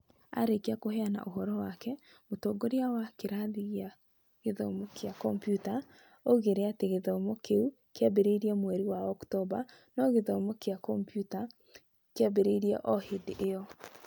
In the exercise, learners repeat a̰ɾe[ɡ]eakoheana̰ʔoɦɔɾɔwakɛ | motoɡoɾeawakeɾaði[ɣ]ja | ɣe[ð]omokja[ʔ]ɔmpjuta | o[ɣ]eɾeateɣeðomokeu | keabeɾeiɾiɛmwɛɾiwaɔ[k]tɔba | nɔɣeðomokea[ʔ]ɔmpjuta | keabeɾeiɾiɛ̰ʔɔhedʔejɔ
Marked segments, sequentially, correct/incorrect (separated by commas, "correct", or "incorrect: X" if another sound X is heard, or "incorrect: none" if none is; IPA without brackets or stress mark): incorrect: k, correct, correct, incorrect: k, correct, correct, incorrect: k